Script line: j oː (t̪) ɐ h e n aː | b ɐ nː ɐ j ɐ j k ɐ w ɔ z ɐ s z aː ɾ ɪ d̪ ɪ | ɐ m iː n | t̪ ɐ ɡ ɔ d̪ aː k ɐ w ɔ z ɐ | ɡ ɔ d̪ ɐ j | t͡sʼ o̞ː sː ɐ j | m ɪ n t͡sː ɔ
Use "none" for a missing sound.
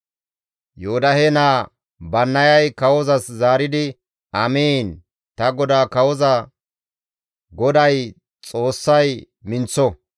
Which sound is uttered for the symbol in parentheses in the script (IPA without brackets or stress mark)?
d̪